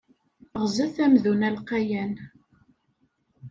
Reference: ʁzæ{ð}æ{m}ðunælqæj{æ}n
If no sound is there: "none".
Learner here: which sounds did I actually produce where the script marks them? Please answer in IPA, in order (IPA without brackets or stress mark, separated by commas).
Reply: θ, m, æ